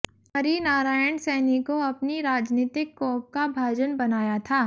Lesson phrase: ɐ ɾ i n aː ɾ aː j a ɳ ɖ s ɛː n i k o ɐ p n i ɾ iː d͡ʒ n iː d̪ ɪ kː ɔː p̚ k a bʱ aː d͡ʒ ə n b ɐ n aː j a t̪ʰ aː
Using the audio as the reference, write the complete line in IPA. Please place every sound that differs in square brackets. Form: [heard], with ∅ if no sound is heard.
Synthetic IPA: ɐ ɾ i n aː ɾ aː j [ə] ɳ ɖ s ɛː n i k o ɐ p n i ɾ [aː] d͡ʒ n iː [t̪] ɪ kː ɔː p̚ k a bʱ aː d͡ʒ ə n b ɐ n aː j a t̪ʰ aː